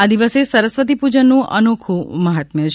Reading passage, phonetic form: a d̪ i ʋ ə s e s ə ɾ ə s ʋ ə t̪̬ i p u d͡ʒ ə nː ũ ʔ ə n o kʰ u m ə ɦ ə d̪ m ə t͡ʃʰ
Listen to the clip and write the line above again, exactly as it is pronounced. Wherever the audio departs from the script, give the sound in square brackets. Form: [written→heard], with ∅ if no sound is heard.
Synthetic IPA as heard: a d̪ i ʋ ə s e s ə ɾ ə s ʋ ə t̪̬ i p u d͡ʒ ə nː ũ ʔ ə n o kʰ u m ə ɦ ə [d̪→t̪] m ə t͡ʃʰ

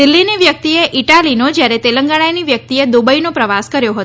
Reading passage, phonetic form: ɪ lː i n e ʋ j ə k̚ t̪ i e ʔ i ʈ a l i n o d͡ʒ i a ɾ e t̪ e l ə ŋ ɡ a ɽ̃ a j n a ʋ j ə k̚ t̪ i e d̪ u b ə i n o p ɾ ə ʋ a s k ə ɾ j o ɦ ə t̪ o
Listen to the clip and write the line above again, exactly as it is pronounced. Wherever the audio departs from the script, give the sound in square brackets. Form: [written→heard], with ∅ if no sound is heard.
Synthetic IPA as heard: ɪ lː i n [e→i] ʋ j ə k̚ t̪ i e ʔ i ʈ a l i n o d͡ʒ [i→j] a ɾ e t̪ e l ə ŋ ɡ a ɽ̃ a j n [a→i] ʋ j ə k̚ t̪ i e d̪ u b ə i n o p ɾ ə ʋ a s k ə ɾ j o ɦ ə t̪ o

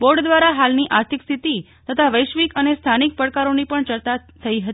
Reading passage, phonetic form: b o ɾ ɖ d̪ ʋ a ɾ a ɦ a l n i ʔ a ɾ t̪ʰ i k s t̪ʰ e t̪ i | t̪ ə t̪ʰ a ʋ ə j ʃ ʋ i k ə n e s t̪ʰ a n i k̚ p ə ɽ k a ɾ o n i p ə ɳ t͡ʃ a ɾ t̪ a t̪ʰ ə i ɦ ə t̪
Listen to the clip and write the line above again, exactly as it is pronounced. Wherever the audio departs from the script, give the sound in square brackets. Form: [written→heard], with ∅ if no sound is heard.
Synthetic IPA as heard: b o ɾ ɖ d̪ ʋ a ɾ a ɦ a l n i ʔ a ɾ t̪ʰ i k s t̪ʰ [e→i] t̪ i | t̪ ə t̪ʰ a ʋ ə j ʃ ʋ i k ə n e s t̪ʰ a n i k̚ p ə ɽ k a ɾ o n i p ə ɳ t͡ʃ [a→ə] ɾ t̪ a t̪ʰ ə i ɦ ə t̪

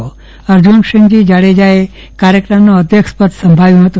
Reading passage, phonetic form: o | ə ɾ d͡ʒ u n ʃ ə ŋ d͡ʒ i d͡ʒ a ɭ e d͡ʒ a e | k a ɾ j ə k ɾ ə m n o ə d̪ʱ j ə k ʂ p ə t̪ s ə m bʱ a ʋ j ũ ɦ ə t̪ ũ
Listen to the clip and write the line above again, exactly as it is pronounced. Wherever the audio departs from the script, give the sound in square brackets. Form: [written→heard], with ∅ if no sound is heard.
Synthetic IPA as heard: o | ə ɾ d͡ʒ u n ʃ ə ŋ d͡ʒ i d͡ʒ a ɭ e d͡ʒ a e | k a ɾ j ə k ɾ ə m n o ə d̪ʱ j ə k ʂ p ə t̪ s ə m bʱ a ʋ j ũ ɦ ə t̪ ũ

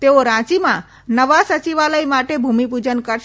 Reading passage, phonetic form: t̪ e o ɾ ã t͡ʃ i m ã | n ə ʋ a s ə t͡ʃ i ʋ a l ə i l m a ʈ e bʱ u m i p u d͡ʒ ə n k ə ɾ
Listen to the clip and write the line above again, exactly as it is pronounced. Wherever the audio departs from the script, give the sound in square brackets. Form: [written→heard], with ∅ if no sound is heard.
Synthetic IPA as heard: t̪ e o ɾ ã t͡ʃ i m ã | n ə ʋ a s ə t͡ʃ i ʋ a l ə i [l→∅] m a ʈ e bʱ u m i p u d͡ʒ ə n k ə ɾ

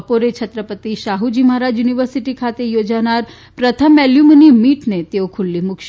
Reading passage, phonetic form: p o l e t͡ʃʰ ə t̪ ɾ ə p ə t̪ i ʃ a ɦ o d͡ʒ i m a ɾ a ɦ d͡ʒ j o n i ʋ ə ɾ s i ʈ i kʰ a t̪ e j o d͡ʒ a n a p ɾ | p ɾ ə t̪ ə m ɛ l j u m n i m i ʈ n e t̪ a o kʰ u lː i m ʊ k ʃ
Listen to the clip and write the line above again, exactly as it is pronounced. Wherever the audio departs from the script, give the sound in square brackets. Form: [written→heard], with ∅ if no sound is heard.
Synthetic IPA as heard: p o [l→ɾ] e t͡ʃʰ ə t̪ ɾ ə p ə t̪ i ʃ a ɦ [o→u] d͡ʒ i m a ɾ a [ɦ→∅] d͡ʒ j [o→u] n i ʋ ə ɾ s i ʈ i kʰ a t̪ e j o d͡ʒ a n a [p→∅] ɾ | p ɾ ə [t̪→t̪ʰ] ə m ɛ l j u m n i m i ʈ n e t̪ [a→e] o kʰ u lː i m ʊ k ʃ

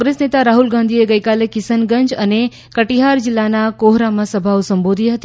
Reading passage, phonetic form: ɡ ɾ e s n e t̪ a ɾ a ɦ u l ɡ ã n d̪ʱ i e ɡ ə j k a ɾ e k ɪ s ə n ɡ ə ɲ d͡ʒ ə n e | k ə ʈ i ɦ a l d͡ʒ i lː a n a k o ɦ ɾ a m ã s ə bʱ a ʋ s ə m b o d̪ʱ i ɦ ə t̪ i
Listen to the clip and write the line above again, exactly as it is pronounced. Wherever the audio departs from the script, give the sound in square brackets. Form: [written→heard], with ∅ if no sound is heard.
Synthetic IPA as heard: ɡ ɾ e s n e t̪ a ɾ a ɦ u l ɡ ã n d̪ʱ i e ɡ ə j k a [ɾ→l] e k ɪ s ə n ɡ ə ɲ d͡ʒ ə n e | k ə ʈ i ɦ a [l→ɾ] d͡ʒ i lː a n a k o ɦ ɾ a m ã s ə bʱ a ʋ s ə m b o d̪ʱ i ɦ ə t̪ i

